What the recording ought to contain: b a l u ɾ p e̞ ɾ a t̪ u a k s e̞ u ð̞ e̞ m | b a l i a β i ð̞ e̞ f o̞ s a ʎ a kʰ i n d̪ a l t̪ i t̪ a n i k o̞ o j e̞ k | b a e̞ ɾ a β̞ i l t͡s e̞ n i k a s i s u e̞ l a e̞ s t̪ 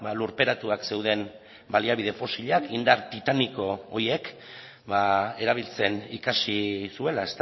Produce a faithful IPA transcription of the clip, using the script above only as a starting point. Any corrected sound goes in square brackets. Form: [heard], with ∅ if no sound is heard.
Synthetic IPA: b a l u ɾ p e̞ ɾ a t̪ u a k s e̞ [w] ð̞ e̞ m | b a l i a β i ð̞ e̞ f o̞ s [i] ʎ a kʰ i n d̪ a [ɾ] t̪ i t̪ a n i k o̞ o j e̞ k | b a e̞ ɾ a β̞ i l t͡s e̞ n i k a s i s u e̞ l a e̞ s t̪